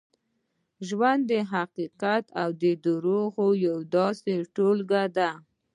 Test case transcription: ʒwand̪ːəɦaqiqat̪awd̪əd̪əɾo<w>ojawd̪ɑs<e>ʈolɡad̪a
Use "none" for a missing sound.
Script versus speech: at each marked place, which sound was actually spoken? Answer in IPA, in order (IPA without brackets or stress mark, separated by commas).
ɣ, e